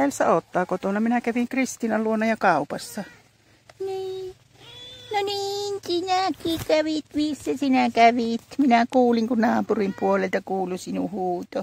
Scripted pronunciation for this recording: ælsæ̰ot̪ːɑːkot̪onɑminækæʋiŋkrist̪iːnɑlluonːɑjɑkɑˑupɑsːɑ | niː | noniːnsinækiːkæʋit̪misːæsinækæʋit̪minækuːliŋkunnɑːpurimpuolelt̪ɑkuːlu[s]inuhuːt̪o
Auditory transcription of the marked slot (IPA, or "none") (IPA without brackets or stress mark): s